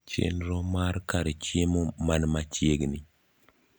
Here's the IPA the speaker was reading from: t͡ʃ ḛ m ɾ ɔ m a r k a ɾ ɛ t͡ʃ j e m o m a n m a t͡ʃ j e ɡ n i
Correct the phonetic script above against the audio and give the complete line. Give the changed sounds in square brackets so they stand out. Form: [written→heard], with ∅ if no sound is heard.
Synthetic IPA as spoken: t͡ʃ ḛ [m→n] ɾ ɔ m a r k a ɾ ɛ t͡ʃ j e m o m a n m a t͡ʃ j e ɡ n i